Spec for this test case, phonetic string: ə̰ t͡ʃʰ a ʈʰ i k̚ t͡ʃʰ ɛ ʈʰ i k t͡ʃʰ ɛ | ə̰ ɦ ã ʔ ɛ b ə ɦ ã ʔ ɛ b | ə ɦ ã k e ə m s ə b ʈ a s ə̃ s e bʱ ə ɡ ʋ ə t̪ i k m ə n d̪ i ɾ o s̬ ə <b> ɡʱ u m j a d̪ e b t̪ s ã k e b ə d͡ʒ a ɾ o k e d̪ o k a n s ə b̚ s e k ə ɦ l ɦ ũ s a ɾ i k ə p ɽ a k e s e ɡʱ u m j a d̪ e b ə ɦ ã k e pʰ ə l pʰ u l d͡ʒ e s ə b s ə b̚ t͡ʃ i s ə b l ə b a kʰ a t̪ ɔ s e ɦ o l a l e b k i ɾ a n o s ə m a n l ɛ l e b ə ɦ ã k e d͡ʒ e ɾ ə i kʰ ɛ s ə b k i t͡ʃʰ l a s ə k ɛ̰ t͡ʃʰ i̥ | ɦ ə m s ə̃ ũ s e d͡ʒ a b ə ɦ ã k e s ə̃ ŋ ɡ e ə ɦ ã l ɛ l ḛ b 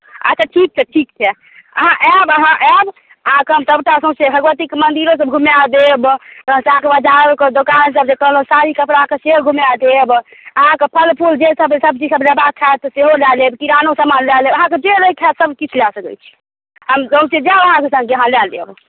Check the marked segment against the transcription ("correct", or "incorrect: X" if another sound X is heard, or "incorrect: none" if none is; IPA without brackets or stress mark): correct